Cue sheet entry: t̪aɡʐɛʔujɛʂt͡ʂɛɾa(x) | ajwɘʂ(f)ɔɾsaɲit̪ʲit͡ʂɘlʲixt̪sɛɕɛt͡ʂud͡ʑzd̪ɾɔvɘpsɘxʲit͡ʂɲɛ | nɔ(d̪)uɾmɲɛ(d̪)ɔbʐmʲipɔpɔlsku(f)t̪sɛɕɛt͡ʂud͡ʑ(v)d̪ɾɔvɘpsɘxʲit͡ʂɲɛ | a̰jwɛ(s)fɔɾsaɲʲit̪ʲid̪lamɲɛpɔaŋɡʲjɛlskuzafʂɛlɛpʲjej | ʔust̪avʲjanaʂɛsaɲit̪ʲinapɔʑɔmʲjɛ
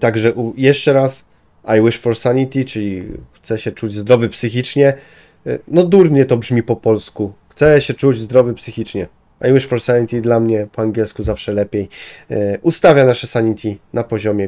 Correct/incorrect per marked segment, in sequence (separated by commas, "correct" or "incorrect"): incorrect, correct, correct, incorrect, incorrect, incorrect, incorrect